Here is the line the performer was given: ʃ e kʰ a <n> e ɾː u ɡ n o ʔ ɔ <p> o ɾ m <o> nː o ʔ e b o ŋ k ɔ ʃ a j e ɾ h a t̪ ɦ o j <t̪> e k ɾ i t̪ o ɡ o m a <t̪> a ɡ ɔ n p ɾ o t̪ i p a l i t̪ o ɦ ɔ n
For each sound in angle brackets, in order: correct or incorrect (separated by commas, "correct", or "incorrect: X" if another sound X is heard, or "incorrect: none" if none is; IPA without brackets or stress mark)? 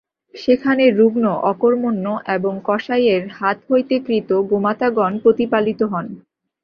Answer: correct, incorrect: k, correct, correct, correct